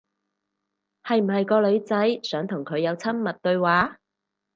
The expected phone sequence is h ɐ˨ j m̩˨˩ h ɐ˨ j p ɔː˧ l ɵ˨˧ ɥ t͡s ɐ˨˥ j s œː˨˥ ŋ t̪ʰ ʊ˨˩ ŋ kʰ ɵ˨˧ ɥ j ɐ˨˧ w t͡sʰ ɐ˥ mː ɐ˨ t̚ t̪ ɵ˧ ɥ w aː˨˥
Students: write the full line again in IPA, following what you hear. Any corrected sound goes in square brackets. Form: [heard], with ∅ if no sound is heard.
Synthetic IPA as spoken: h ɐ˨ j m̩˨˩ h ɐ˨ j [k] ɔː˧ l ɵ˨˧ ɥ t͡s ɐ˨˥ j s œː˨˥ ŋ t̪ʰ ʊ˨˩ ŋ kʰ ɵ˨˧ ɥ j ɐ˨˧ w t͡sʰ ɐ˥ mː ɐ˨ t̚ t̪ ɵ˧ ɥ w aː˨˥